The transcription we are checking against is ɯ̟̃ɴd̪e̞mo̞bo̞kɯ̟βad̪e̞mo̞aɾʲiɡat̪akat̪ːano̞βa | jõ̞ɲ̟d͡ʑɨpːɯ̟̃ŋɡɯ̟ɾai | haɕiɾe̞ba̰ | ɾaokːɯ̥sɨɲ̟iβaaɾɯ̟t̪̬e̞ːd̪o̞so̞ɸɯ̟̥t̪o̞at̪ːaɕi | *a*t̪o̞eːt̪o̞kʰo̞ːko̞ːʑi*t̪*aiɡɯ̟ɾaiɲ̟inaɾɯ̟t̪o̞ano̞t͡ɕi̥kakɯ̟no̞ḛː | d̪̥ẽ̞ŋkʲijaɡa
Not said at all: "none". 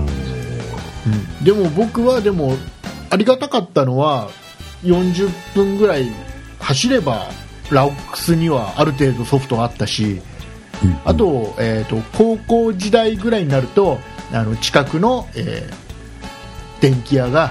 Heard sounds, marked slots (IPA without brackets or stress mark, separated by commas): a, d̪